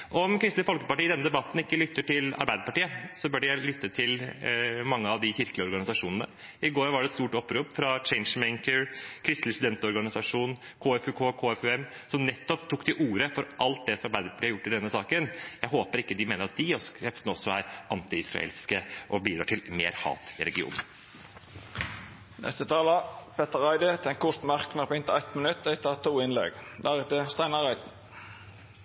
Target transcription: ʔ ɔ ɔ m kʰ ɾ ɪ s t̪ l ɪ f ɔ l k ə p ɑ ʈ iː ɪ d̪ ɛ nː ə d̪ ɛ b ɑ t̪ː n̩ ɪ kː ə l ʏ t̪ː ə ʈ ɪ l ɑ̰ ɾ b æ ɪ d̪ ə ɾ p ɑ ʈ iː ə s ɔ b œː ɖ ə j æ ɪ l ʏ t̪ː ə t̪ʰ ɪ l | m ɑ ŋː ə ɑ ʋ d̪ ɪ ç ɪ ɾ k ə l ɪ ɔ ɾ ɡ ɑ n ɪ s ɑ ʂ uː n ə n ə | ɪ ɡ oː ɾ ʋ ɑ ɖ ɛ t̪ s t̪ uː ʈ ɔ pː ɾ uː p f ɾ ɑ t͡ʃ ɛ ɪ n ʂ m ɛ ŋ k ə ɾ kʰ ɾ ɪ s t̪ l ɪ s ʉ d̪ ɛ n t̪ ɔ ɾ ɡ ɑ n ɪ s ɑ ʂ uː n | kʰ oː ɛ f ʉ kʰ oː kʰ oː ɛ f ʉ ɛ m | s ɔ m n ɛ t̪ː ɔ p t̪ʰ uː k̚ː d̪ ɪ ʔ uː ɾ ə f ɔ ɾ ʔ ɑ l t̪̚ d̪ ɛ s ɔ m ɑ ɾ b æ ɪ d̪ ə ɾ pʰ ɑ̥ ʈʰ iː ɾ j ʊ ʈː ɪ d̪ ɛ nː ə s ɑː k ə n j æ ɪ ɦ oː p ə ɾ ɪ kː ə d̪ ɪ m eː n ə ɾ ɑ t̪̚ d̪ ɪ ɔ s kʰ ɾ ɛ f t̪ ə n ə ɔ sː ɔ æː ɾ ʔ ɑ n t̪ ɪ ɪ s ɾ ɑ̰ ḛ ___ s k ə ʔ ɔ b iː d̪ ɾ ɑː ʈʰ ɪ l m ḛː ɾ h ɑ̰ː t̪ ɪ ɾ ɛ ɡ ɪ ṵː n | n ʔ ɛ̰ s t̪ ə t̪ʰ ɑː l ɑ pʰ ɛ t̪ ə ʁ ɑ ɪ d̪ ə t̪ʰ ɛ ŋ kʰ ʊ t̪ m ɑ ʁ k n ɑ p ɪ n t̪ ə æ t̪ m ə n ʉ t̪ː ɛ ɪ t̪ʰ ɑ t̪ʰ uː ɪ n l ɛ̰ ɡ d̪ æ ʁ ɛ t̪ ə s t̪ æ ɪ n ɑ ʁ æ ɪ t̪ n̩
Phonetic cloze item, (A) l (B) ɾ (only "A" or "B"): A